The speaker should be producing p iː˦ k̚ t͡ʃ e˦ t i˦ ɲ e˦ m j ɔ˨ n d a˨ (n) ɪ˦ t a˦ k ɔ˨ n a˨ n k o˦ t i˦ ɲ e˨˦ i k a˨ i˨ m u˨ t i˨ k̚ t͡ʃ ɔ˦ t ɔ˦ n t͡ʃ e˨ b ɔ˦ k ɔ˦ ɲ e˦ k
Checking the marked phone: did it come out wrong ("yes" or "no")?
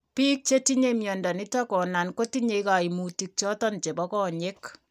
no